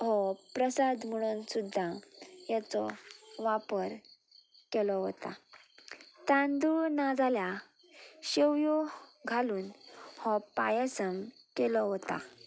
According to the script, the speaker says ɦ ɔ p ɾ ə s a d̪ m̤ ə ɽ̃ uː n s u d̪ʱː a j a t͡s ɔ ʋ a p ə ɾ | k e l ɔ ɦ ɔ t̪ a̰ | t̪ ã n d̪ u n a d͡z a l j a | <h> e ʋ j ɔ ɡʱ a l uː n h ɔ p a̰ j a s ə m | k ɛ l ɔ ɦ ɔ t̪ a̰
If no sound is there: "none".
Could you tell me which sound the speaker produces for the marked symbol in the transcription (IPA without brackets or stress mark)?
ɕ